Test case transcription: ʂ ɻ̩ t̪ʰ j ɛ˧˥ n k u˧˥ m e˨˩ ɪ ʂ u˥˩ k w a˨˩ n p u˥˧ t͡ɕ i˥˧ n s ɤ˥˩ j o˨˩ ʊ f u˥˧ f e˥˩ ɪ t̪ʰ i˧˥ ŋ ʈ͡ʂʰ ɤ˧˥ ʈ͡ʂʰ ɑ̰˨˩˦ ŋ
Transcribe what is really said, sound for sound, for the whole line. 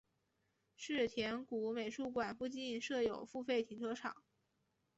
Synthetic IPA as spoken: ʂ ɻ̩ t̪ʰ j ɛ˧˥ n k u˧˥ m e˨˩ ɪ ʂ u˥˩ k w a˨˩ n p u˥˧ t͡ɕ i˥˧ n ʂ ɤ˥˩ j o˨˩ ʊ f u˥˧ f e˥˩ ɪ t̪ʰ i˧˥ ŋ ʈ͡ʂʰ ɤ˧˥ ʈ͡ʂʰ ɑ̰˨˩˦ ŋ

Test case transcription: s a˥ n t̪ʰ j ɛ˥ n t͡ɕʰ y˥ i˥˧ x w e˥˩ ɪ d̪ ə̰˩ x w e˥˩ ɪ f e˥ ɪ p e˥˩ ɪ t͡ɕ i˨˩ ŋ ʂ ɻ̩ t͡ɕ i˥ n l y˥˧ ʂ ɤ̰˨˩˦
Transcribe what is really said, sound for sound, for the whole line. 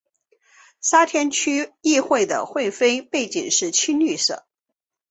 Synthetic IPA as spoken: s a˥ t̪ʰ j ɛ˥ n t͡ɕʰ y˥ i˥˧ x w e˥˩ ɪ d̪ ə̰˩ x w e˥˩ ɪ f e˥ ɪ p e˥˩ ɪ t͡ɕ i˨˩ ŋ ʂ ɻ̩ t͡ɕʰ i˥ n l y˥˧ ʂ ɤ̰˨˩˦

